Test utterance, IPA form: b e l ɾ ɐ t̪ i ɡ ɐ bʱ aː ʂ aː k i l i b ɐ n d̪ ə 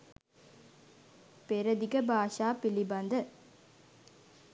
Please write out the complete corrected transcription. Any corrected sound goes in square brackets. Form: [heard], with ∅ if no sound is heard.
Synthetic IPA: [p] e [∅] ɾ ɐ [d̪] i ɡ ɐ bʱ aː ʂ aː [p] i l i b ɐ n d̪ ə